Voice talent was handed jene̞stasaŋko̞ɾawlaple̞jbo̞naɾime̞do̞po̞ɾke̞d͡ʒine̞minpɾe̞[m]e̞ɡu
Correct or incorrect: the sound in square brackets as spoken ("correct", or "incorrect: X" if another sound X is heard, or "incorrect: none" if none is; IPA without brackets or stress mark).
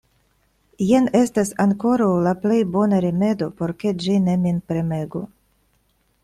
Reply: correct